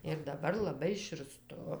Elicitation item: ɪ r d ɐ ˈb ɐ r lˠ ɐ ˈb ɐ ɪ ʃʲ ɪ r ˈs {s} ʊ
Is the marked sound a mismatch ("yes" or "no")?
yes